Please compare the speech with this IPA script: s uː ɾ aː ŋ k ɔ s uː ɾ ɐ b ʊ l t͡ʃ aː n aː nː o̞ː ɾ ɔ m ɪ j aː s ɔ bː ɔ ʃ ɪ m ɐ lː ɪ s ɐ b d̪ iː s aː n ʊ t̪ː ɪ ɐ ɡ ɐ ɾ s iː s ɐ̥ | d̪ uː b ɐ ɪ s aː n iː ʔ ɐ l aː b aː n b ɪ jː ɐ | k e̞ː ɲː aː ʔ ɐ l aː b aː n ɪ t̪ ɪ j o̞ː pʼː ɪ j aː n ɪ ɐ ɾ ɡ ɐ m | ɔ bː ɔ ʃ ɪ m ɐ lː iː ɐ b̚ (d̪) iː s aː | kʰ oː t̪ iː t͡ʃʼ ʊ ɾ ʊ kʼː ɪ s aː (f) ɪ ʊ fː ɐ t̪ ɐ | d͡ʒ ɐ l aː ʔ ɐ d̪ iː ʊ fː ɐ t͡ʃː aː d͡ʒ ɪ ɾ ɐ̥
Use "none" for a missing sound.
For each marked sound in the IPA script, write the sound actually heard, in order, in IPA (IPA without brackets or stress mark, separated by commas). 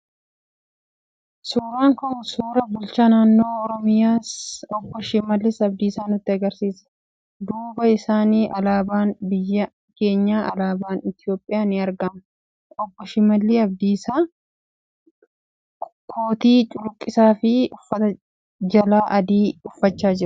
d̪, f